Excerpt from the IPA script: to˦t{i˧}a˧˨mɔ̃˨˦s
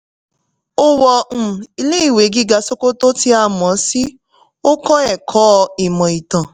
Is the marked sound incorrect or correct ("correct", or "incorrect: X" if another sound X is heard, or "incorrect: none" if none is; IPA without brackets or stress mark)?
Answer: correct